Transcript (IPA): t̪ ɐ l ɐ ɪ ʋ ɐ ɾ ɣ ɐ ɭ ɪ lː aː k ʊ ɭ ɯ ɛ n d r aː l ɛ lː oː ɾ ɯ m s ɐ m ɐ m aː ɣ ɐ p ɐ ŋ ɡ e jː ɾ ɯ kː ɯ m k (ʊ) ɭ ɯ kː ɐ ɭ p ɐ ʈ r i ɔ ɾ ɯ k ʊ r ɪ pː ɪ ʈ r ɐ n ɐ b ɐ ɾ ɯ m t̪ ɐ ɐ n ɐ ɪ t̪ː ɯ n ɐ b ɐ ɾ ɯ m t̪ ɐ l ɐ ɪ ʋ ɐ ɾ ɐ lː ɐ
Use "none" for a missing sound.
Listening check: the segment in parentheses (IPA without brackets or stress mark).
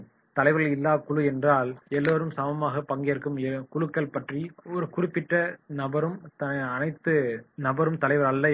ʊ